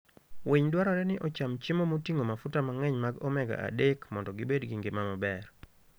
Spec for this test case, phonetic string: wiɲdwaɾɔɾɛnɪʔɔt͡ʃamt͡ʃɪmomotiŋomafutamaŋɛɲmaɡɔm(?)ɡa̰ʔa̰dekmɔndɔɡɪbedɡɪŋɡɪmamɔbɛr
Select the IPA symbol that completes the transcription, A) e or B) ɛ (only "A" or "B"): B